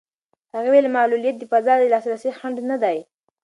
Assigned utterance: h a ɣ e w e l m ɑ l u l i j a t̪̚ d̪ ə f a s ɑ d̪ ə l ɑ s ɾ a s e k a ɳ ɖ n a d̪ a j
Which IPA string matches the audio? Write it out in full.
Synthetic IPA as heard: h a ɣ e w e l m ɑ l u l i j a t̪̚ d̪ ə f a z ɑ d̪ ə l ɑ s ɾ a s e x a ɳ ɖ n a d̪ a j